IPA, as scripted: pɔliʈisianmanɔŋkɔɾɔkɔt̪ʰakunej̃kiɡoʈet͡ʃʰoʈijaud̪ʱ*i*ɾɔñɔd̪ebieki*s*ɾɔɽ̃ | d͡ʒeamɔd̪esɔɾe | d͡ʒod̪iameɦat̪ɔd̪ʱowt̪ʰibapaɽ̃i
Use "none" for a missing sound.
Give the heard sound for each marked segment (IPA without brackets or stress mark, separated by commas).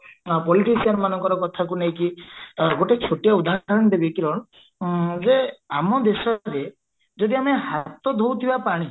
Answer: a, none